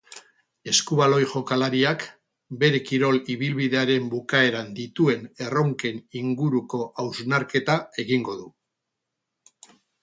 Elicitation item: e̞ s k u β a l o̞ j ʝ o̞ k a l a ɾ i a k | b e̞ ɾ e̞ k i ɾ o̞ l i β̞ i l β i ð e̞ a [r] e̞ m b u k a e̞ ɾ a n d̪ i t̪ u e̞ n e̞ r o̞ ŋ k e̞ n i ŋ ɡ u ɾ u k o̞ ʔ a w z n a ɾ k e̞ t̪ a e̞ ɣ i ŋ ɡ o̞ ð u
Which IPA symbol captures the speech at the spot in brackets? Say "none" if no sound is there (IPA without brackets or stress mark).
ɾ